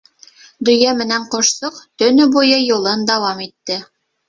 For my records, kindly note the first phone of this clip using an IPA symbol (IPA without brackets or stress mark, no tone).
d̪